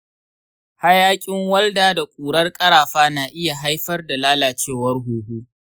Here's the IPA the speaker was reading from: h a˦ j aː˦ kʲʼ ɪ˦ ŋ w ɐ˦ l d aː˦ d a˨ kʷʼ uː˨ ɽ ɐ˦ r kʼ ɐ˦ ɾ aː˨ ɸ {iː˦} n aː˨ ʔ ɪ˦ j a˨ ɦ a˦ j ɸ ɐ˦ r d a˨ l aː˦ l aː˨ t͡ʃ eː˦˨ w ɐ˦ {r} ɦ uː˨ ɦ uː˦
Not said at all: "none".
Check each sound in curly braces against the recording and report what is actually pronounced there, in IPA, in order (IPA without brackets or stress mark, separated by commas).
aː˦, r